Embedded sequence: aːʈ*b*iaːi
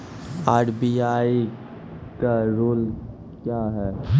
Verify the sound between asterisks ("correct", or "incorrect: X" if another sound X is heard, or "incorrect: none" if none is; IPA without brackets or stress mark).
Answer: correct